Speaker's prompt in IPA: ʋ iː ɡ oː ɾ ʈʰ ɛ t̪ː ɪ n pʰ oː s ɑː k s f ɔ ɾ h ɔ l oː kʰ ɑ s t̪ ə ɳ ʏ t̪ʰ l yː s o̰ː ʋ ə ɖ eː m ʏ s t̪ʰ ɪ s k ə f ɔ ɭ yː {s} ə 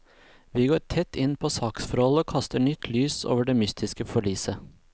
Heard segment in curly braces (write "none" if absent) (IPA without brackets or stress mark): s